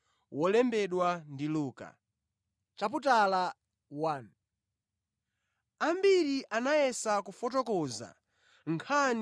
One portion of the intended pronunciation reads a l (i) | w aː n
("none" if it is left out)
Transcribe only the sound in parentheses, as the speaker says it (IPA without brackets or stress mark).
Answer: a